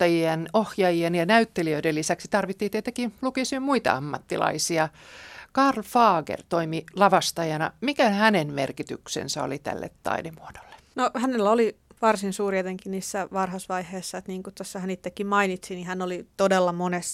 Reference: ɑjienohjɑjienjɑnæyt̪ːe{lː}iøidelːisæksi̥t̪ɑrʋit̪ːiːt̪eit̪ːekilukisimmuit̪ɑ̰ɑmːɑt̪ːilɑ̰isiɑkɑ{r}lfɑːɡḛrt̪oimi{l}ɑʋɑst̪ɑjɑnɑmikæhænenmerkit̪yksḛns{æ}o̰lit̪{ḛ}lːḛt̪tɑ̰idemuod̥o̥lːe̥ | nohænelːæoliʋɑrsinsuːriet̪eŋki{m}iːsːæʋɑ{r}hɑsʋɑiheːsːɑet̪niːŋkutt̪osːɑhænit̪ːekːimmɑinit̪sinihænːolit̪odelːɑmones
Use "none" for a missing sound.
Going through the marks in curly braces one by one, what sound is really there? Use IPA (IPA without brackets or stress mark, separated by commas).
l, r, l, æ, æ̰, n, r